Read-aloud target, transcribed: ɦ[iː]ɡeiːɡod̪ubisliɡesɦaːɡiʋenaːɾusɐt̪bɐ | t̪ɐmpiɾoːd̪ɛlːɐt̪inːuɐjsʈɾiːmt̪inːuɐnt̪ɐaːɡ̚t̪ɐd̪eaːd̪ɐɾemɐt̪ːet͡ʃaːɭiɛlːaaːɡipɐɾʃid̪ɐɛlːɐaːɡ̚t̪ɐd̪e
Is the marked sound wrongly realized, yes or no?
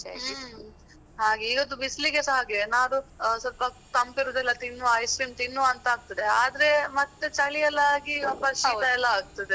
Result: yes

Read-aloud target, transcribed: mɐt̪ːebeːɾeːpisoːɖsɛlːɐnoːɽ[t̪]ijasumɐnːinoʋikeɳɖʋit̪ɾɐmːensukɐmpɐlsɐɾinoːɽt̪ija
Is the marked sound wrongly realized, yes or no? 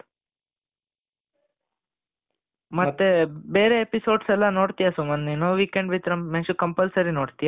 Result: no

